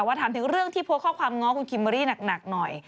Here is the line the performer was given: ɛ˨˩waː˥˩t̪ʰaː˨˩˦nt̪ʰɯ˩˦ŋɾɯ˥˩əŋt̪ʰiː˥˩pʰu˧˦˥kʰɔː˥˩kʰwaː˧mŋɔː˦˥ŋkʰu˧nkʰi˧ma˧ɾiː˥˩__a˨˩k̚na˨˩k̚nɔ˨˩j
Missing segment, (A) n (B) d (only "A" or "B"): A